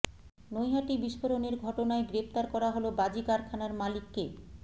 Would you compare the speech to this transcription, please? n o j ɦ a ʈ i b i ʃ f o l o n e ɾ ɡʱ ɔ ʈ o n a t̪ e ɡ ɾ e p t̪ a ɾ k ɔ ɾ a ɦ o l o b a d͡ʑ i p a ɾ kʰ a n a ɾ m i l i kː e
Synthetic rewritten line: n o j ɦ a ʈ i b i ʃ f o ɾ o n e ɾ ɡʱ ɔ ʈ o n a e ɡ ɾ e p t̪ a ɾ k ɔ ɾ a ɦ o l o b a d͡ʑ i k a ɾ kʰ a n a ɾ m a l i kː e